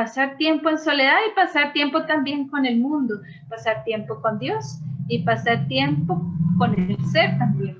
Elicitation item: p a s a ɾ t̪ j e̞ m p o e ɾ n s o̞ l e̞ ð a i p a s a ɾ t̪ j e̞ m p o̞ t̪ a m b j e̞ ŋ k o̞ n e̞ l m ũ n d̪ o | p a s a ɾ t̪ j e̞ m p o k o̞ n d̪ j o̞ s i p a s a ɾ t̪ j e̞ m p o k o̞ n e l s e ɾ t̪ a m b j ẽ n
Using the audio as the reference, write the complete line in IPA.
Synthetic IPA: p a s a ɾ t̪ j e̞ m p o e n s o̞ l e̞ ð a i p a s a ɾ t̪ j e̞ m p o̞ t̪ a m b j e̞ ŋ k o̞ n e̞ l m ũ n d̪ o | p a s a ɾ t̪ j e̞ m p o k o̞ n d̪ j o̞ s i p a s a ɾ t̪ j e̞ m p o k o̞ n e l s e ɾ t̪ a m b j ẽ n